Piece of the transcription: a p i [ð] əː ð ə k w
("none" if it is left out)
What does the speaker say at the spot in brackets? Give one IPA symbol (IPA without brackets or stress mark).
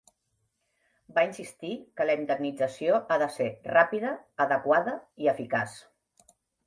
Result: ð